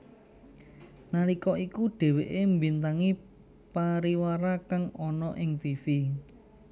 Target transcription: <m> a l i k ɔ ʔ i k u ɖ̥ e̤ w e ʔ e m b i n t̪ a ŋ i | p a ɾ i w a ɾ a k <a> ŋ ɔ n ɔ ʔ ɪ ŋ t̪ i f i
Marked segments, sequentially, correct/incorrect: incorrect: n, correct

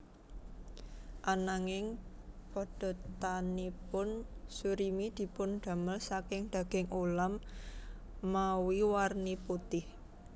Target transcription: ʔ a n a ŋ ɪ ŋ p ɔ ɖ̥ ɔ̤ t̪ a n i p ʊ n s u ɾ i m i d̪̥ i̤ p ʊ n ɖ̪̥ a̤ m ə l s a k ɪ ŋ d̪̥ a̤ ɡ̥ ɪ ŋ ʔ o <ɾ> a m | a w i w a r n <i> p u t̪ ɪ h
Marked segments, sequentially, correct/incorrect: incorrect: l, correct

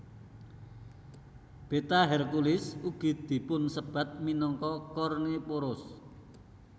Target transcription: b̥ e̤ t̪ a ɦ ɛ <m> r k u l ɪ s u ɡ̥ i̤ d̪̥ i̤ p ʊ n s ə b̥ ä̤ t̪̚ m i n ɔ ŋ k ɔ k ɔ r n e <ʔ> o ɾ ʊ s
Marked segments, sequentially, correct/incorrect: incorrect: none, incorrect: p

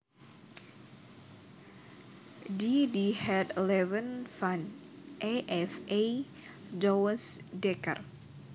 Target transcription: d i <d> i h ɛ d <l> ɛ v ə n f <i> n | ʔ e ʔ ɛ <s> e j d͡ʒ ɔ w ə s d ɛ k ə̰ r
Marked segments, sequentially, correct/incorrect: correct, correct, incorrect: a, incorrect: f

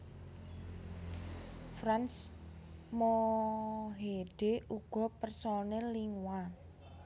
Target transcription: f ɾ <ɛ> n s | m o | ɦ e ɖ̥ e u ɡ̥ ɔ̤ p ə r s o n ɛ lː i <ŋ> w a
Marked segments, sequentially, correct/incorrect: incorrect: a, correct

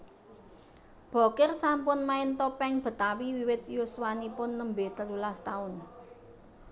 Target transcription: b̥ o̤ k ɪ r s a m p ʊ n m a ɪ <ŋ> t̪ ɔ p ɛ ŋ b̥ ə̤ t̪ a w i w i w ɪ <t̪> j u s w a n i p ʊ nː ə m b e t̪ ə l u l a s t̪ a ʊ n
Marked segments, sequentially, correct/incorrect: incorrect: n, correct

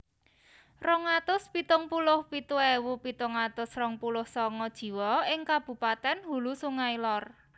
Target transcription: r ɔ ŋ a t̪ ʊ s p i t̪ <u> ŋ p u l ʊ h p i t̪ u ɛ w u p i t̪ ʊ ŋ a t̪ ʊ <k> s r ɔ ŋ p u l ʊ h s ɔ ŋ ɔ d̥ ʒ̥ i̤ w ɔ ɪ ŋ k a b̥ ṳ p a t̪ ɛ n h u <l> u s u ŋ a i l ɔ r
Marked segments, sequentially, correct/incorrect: incorrect: ʊ, incorrect: none, correct

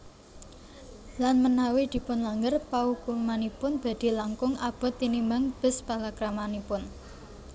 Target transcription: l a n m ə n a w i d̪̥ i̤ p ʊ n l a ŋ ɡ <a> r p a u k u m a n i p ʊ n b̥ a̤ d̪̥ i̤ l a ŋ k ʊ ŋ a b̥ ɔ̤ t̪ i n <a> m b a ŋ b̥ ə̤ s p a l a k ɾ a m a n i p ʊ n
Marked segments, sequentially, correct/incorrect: incorrect: ə, incorrect: i

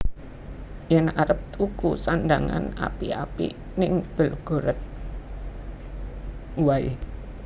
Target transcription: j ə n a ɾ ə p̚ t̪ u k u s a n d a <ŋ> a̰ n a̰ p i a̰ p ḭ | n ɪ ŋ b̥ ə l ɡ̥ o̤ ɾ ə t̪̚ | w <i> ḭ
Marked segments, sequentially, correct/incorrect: correct, incorrect: a

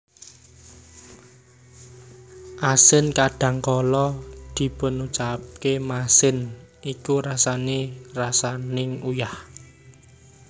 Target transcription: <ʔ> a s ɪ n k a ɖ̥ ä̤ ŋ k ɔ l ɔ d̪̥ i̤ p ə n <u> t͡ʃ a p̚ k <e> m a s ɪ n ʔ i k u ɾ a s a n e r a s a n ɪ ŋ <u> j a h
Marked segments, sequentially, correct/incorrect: correct, correct, correct, correct

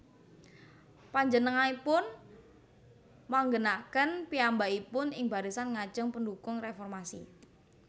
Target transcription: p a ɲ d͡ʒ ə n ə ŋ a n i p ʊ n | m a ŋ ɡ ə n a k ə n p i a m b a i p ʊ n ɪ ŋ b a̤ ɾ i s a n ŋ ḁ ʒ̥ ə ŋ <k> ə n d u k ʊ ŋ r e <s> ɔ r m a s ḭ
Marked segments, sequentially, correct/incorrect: incorrect: p, incorrect: f

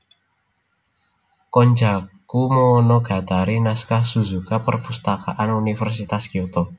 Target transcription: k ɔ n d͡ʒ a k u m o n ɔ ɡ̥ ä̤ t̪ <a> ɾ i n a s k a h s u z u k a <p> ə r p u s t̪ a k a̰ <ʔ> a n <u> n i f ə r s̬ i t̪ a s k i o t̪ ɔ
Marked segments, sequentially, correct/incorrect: correct, correct, correct, correct

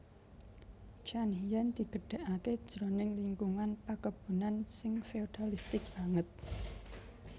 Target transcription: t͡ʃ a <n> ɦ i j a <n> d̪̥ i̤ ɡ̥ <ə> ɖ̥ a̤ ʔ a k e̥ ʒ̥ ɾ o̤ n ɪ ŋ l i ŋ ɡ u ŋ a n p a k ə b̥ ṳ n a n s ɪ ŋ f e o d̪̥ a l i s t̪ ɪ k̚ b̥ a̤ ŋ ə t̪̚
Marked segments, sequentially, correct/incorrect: correct, correct, correct

